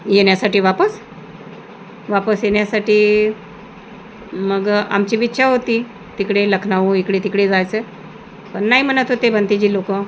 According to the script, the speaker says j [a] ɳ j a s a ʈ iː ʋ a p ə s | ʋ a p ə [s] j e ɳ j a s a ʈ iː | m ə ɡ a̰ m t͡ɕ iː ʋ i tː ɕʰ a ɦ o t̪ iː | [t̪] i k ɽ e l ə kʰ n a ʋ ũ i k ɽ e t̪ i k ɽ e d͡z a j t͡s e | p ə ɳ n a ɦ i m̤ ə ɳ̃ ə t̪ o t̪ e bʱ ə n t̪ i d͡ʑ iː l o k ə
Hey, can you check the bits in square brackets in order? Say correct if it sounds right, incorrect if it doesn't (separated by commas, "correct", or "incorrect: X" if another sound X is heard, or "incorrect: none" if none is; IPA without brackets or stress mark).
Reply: incorrect: e, correct, correct